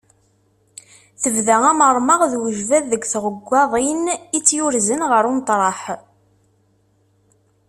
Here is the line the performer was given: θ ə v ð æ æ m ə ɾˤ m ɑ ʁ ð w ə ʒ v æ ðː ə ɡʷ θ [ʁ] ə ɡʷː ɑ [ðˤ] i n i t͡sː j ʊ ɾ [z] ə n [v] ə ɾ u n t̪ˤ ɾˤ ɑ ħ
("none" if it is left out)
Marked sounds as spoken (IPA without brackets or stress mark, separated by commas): ʁ, ðˤ, z, ʁ